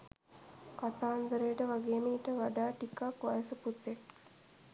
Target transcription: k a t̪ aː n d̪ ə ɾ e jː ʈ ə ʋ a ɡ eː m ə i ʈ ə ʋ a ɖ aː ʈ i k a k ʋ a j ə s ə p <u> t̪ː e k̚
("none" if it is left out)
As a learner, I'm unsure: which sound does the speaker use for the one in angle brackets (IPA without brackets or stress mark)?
u